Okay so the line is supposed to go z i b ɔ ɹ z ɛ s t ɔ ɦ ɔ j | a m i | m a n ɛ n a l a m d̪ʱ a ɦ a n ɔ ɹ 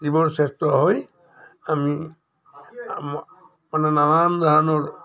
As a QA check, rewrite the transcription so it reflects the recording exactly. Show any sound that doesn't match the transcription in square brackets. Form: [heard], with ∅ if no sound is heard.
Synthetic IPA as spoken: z i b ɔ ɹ [s] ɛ s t ɔ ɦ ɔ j | a m i | m a n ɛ n a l a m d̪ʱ a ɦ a n ɔ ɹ